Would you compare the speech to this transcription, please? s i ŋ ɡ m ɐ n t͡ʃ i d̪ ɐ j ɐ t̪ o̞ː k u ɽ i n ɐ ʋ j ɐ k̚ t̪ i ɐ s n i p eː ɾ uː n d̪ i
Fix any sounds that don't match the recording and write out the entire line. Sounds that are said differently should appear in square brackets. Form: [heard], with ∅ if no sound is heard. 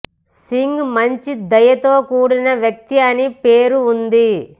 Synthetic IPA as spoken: s i ŋ ɡ m ɐ [ɲ] t͡ʃ i d̪ ɐ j ɐ t̪ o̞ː k [uː] ɽ i n ɐ ʋ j ɐ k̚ t̪ i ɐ [∅] n i p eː ɾ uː n d̪ i